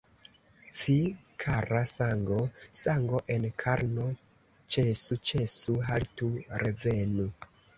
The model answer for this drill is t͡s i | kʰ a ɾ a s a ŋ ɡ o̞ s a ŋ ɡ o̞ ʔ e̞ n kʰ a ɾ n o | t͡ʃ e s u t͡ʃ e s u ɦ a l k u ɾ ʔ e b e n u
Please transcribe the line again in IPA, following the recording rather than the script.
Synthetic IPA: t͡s i | kʰ a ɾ a s a ŋ ɡ o̞ s a ŋ ɡ o̞ ʔ e̞ n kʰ a ɾ n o | t͡ʃ e s u t͡ʃ e s u ɦ a l t u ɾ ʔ e v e n u